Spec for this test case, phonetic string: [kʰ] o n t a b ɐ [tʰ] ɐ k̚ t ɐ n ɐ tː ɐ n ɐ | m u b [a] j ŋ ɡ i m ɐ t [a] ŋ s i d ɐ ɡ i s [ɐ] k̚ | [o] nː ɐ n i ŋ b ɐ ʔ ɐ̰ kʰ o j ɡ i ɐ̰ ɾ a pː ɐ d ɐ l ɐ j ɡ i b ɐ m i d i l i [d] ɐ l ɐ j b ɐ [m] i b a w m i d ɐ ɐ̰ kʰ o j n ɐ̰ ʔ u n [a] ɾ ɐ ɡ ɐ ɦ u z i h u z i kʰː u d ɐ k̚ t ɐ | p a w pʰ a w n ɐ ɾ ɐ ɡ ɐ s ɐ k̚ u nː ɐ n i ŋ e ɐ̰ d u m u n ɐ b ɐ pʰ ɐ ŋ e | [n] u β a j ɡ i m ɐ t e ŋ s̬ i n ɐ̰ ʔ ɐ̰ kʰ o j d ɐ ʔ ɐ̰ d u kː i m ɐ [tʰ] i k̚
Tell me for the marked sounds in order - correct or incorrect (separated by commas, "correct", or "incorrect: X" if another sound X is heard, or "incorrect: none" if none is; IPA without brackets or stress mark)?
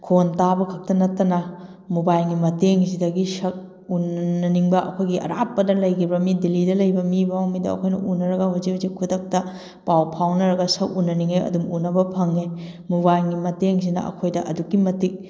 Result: correct, incorrect: kʰ, correct, incorrect: e, correct, incorrect: u, correct, correct, incorrect: ɐ, incorrect: m, incorrect: t